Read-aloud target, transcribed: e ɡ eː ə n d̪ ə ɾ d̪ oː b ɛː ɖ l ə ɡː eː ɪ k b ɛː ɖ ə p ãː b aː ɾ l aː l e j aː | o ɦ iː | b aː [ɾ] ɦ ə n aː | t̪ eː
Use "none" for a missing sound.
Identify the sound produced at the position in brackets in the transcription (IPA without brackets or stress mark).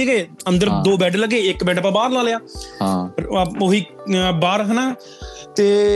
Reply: ɾ